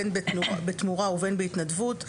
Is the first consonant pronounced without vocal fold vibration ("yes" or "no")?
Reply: no